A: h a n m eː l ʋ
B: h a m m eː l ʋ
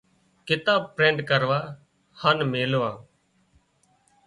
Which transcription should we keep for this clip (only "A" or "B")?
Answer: A